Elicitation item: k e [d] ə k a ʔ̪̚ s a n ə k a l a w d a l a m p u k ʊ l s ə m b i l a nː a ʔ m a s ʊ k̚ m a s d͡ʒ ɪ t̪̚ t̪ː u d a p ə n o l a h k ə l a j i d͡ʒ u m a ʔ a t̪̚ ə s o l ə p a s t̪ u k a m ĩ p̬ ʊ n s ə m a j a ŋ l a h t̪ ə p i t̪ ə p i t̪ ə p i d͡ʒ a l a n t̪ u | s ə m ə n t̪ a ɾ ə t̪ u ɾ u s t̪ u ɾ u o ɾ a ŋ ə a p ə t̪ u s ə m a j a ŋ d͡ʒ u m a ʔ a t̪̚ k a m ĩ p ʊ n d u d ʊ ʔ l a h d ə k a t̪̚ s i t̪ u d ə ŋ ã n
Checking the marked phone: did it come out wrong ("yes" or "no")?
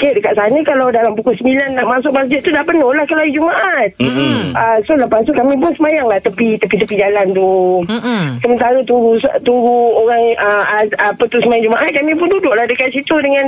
no